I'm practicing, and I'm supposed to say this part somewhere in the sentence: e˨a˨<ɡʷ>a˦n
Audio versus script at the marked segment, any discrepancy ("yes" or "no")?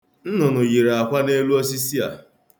yes